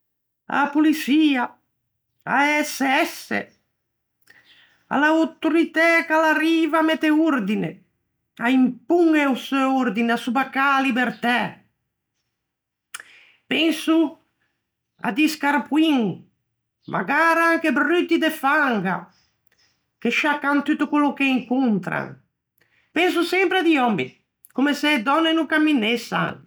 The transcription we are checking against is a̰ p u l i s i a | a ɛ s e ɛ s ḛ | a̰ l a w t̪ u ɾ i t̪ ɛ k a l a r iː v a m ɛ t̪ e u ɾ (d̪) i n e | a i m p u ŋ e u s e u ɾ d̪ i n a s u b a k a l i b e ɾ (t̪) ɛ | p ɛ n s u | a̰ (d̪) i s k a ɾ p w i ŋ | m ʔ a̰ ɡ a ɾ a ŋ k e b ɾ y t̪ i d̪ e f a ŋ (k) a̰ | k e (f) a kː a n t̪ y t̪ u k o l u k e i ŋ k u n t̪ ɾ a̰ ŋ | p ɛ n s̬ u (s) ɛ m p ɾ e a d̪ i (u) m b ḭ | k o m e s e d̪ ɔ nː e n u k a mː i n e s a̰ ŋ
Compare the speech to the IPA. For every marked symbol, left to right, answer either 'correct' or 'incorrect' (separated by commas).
correct, correct, correct, incorrect, incorrect, correct, incorrect